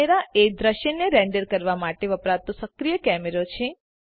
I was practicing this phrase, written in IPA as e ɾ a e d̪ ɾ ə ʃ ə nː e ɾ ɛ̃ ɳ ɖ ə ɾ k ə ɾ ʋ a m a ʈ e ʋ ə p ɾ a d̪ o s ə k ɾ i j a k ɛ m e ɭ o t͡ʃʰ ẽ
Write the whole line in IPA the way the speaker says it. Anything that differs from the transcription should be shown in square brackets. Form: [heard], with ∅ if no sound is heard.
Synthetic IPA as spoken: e ɾ a e d̪ ɾ ə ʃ ə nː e ɾ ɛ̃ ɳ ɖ ə ɾ k ə ɾ ʋ a m a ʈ e ʋ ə p ɾ a [t̪] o s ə k ɾ i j [ə] k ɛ m e [ɾ] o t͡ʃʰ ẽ